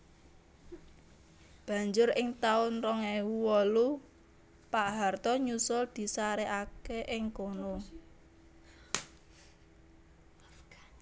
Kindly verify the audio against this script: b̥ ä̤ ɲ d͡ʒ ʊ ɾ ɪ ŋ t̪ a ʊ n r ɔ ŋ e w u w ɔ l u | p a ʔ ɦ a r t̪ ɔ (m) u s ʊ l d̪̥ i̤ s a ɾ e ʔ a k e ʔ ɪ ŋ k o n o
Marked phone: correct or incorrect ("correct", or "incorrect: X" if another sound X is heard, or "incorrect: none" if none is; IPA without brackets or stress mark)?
incorrect: ɲ